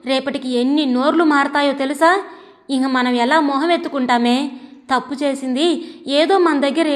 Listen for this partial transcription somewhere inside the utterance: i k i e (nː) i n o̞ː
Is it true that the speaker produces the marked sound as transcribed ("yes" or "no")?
yes